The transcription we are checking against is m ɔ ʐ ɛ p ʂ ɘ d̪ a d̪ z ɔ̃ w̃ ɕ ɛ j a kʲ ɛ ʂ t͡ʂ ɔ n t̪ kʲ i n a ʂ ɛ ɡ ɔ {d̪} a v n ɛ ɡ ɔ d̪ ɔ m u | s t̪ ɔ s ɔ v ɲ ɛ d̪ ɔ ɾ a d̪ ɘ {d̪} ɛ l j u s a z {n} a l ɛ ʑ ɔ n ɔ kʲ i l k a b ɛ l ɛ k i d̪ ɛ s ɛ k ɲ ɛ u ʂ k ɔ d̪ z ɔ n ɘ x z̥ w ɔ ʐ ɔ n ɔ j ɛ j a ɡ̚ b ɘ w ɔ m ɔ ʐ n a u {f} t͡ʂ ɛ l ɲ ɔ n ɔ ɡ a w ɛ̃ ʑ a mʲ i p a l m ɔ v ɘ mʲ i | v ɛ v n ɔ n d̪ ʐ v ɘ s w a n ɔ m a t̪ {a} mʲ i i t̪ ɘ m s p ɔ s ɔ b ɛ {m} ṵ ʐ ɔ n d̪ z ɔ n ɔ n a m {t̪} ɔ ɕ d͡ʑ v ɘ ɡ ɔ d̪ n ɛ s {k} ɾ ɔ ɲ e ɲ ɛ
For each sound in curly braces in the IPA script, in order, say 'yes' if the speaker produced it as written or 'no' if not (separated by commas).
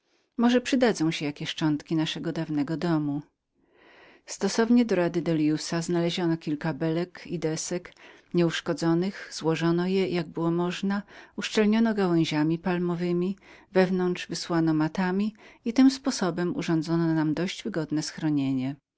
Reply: yes, yes, yes, no, yes, yes, no, no